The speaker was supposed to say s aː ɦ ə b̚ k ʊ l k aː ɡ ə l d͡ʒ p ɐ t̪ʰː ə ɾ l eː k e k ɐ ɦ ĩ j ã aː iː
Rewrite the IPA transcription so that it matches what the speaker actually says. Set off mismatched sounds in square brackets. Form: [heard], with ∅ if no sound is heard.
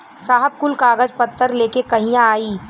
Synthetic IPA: s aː ɦ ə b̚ k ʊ l k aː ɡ ə [∅] d͡ʒ p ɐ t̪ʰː ə ɾ l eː k e k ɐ ɦ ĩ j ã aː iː